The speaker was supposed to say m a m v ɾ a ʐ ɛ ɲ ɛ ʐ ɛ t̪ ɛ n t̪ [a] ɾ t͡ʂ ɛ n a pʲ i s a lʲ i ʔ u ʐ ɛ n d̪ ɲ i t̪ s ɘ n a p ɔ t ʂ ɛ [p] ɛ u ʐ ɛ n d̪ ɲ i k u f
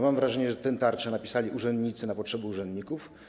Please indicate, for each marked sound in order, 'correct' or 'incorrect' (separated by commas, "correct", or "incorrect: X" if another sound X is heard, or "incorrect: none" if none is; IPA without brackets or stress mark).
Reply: correct, incorrect: b